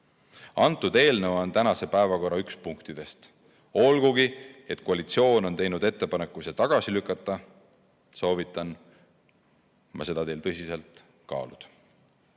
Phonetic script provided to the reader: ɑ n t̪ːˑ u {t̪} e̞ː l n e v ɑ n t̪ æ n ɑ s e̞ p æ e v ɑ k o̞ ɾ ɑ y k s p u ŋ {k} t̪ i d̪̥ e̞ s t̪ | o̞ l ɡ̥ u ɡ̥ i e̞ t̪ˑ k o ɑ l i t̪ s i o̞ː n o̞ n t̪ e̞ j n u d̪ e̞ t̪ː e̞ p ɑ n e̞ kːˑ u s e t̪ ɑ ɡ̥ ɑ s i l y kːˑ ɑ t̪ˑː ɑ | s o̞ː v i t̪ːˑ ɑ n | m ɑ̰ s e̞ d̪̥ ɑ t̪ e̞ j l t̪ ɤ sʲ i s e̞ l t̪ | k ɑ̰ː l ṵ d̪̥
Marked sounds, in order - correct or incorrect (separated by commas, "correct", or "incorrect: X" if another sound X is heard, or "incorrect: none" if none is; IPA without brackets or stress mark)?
incorrect: d̪, correct